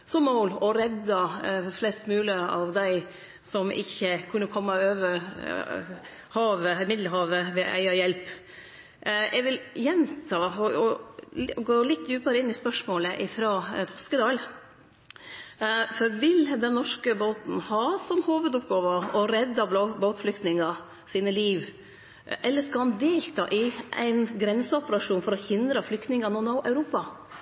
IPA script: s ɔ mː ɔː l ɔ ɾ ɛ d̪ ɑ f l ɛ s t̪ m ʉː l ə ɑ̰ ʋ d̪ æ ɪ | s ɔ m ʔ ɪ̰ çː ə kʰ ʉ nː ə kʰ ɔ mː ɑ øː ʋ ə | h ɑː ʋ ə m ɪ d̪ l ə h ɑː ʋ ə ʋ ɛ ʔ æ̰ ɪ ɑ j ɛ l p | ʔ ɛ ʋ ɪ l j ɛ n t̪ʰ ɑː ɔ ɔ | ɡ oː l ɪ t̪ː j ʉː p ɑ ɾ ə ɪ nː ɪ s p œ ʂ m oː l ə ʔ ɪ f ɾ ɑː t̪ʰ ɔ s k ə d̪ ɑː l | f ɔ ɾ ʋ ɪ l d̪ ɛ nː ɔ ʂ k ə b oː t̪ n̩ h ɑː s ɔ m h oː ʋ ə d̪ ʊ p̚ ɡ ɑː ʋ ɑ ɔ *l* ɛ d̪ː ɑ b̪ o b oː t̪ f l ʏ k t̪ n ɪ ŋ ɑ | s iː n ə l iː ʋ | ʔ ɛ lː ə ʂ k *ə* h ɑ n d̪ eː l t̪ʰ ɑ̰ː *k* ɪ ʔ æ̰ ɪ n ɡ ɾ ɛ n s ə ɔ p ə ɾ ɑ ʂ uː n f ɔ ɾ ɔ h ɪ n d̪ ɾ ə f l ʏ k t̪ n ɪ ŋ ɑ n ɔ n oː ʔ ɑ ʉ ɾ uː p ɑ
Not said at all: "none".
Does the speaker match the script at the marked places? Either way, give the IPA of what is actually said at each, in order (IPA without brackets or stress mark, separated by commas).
ɾ, ɑ, ʔ